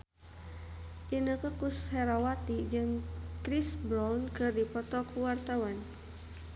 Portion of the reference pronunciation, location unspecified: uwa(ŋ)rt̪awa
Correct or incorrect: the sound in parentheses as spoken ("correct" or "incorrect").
incorrect